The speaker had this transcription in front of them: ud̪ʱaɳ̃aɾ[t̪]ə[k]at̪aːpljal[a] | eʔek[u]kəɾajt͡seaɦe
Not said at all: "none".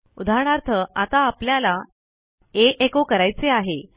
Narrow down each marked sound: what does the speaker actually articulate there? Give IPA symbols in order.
t̪ʰ, none, a, o

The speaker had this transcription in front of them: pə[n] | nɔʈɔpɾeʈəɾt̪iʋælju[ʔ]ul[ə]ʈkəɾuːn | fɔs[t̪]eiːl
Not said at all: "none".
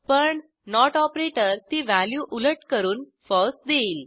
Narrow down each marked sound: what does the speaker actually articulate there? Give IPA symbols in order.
ɳ, ʔ, ə, d̪

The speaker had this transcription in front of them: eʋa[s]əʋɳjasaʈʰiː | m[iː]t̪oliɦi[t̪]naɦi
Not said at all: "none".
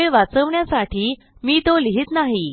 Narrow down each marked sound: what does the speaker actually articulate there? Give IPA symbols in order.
t͡s, iː, t̪

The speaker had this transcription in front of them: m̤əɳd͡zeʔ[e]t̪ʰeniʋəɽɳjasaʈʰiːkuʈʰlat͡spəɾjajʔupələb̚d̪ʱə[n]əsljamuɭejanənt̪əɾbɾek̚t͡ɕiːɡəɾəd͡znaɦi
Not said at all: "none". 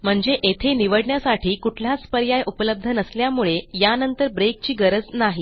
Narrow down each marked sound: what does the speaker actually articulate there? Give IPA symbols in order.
e, n

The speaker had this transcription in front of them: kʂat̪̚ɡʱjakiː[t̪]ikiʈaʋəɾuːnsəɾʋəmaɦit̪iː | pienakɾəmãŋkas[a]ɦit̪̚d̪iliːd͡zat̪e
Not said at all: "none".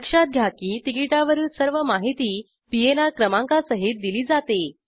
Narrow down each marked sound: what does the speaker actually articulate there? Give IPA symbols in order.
t̪, ə

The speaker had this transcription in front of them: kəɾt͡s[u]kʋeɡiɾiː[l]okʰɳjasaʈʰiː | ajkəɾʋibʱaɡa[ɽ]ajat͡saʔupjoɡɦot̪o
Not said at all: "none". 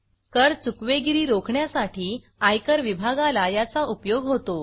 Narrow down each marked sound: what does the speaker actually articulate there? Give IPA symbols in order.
u, ɾ, l

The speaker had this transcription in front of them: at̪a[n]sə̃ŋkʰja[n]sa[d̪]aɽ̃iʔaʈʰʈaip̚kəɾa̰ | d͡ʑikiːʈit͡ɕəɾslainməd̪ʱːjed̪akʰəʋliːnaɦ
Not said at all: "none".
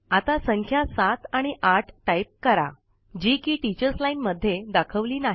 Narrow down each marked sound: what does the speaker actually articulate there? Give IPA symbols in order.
none, none, t̪

